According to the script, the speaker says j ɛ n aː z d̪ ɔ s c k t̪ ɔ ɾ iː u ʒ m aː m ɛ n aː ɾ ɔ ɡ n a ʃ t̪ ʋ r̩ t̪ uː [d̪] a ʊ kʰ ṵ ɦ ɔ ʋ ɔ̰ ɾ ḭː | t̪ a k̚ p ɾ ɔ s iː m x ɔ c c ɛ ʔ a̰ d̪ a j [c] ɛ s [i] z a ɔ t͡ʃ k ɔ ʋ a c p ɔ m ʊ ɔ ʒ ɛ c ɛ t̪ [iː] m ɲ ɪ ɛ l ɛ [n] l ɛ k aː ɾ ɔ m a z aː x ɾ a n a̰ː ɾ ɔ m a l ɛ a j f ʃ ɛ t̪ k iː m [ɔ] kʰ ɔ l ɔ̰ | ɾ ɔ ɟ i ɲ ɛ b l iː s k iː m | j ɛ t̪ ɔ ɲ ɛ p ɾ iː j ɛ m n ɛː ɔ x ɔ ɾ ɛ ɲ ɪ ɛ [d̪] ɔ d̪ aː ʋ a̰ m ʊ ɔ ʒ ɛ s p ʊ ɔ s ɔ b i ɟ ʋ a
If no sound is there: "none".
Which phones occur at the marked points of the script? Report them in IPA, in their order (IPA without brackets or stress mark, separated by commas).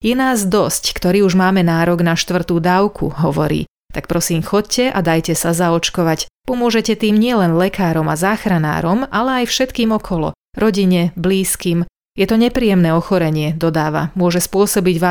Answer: d̪, c, a, iː, n, ɔ, d̪